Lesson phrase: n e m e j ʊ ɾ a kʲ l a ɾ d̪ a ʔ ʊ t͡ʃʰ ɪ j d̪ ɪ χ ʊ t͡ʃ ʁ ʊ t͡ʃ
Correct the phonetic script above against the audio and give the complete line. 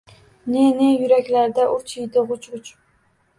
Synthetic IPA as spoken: n e n e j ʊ ɾ a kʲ l a ɾ d̪ a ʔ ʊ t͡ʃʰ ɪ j d̪ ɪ ʁ ʊ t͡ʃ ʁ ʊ t͡ʃ